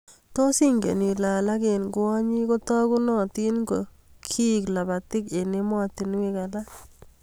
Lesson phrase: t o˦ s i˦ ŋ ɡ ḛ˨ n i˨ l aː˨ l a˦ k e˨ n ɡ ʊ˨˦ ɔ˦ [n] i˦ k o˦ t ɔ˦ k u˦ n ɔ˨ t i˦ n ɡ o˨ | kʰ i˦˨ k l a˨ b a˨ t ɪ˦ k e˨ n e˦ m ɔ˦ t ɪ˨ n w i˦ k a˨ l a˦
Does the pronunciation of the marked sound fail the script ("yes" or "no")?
yes